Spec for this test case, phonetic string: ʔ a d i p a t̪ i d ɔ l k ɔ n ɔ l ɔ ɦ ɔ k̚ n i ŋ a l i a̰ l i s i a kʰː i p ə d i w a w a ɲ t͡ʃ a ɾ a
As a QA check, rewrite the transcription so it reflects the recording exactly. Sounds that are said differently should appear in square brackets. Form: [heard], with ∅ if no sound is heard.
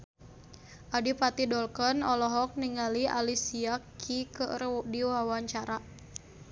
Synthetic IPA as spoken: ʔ a d i p a t̪ i d ɔ l k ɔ n ɔ l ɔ ɦ ɔ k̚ n i ŋ a l i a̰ l i s i a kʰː i [k] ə d i w a w a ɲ t͡ʃ a ɾ a

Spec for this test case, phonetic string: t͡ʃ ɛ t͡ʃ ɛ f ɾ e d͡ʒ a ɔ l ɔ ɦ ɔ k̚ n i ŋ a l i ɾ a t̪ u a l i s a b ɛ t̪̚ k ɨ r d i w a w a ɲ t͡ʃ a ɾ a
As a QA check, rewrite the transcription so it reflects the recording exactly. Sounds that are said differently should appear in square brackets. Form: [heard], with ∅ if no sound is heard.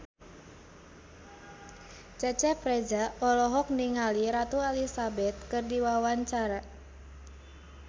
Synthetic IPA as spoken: t͡ʃ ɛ t͡ʃ ɛ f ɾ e d͡ʒ a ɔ l ɔ ɦ ɔ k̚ n i ŋ a l i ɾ a t̪ u a l i s a b ɛ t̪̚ k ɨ r d i w a w a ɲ t͡ʃ a ɾ a

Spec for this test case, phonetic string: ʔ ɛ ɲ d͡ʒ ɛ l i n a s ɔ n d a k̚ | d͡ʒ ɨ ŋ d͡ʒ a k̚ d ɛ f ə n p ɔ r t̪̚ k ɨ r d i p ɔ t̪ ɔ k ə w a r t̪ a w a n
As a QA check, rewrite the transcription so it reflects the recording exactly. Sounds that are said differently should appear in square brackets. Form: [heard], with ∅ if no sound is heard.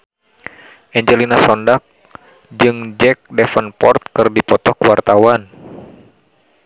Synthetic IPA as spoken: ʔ ɛ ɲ d͡ʒ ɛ l i n a s ɔ n d a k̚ | d͡ʒ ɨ ŋ d͡ʒ [ɛ] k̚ d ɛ f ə n p ɔ r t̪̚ k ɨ r d i p ɔ t̪ ɔ k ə w a r t̪ a w a n

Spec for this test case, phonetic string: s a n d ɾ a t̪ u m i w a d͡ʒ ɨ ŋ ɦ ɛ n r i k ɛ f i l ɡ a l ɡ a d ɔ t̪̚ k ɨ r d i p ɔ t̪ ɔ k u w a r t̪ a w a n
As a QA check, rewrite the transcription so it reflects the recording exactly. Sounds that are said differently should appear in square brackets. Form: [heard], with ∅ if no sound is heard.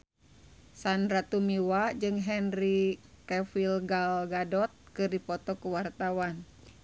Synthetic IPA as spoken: s a n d ɾ a t̪ u m i w a d͡ʒ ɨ ŋ ɦ ɛ n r i k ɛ f i l ɡ a l ɡ a d ɔ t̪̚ k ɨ r d i p ɔ t̪ ɔ k u w a r t̪ a w a n

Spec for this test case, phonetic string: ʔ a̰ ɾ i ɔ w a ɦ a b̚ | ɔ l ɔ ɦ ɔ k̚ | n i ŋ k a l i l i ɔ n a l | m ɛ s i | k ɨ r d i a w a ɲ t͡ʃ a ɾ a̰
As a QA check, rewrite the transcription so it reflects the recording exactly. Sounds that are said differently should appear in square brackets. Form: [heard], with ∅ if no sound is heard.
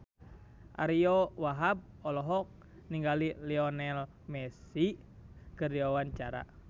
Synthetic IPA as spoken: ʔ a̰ ɾ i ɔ w a ɦ a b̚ | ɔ l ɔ ɦ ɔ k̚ | n i ŋ [ɡ] a l i l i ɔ n [ɛ] l | m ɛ s i | k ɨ r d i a w a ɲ t͡ʃ a ɾ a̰

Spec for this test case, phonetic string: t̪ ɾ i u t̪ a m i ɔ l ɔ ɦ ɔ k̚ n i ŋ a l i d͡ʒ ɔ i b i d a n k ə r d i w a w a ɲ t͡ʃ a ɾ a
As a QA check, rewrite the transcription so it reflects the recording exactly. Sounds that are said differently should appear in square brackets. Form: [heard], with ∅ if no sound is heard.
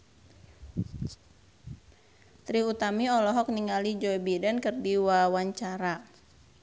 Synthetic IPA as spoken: t̪ ɾ i u t̪ a m i ɔ l ɔ ɦ ɔ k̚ n i ŋ a l i d͡ʒ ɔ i b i d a n k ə r d i w a w a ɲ t͡ʃ a ɾ a

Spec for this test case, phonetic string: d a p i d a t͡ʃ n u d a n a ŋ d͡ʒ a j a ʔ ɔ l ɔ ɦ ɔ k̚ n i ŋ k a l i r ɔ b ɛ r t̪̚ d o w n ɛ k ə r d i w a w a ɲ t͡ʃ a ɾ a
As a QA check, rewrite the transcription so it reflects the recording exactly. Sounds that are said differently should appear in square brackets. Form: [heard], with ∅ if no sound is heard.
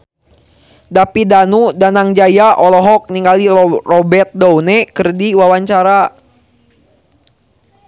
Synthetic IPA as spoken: d a p i d a [∅] n u d a n a ŋ d͡ʒ a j a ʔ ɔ l ɔ ɦ ɔ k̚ n i ŋ [ɡ] a l i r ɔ b ɛ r t̪̚ d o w n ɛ k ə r d i w a w a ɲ t͡ʃ a ɾ a

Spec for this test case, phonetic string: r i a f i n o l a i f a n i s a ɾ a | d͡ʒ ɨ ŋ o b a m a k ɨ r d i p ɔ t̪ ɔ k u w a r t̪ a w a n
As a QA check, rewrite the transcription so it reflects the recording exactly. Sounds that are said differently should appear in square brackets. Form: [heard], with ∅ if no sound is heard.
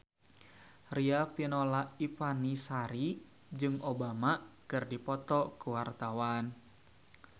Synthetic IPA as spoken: r i a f i n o l a i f a n i s a ɾ [i] | d͡ʒ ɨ ŋ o b a m a k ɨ r d i p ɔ t̪ ɔ k u w a r t̪ a w a n

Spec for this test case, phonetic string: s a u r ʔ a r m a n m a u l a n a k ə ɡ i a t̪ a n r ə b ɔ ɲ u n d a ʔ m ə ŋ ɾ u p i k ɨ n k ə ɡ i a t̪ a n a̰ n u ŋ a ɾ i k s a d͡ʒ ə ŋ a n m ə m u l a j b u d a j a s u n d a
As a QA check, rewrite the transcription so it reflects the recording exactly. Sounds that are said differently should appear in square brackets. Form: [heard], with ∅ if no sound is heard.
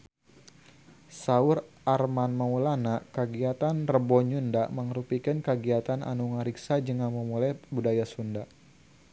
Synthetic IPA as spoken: s a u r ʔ a r m a n m a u l a n a k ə ɡ i a t̪ a n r ə b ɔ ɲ u n d a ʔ m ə ŋ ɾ u p i k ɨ n k ə ɡ i a t̪ a n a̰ n u ŋ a ɾ i k s a d͡ʒ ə ŋ a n m ə m u l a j b u d a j a s u n d a

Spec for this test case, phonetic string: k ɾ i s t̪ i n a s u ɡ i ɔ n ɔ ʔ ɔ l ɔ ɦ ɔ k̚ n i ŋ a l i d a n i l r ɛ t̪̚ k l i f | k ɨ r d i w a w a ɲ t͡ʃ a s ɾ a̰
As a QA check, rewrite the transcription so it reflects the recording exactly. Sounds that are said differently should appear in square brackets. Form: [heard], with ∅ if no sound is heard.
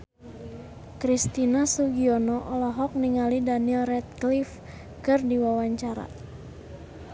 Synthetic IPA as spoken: k ɾ i s t̪ i n a s u ɡ i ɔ n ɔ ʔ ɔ l ɔ ɦ ɔ k̚ n i ŋ a l i d a n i l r ɛ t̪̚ k l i f | k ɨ r d i w a w a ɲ t͡ʃ a [∅] ɾ a̰

